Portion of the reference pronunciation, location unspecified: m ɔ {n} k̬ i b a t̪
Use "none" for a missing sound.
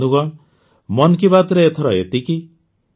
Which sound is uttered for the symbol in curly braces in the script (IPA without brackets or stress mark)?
n